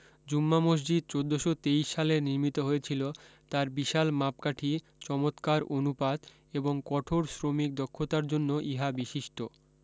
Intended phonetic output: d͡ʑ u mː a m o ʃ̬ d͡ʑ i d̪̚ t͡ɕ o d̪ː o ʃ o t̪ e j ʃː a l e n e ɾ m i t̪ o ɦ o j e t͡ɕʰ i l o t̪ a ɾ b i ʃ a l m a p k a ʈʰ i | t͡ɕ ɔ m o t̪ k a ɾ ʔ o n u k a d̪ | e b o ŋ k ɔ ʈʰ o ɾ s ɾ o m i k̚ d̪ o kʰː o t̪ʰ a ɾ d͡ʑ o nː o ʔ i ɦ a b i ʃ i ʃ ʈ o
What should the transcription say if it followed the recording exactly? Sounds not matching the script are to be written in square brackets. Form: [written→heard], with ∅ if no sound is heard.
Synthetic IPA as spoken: d͡ʑ u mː a m o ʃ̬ d͡ʑ i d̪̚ t͡ɕ o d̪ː o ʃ o t̪ e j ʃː a l e n [e→i] ɾ m i t̪ o ɦ o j e t͡ɕʰ i l o t̪ a ɾ b i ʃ a l m a p k a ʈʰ i | t͡ɕ ɔ m o t̪ k a ɾ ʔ o n u [k→p] a d̪ | e b o ŋ k ɔ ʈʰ o ɾ s ɾ o m i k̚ d̪ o kʰː o [t̪ʰ→t̪] a ɾ d͡ʑ o nː o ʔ i ɦ a b i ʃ i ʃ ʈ o